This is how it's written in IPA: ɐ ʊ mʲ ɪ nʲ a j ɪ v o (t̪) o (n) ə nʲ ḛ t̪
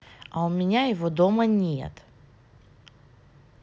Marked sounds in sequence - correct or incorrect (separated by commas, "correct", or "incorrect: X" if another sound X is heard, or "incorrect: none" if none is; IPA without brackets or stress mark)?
incorrect: d̪, incorrect: m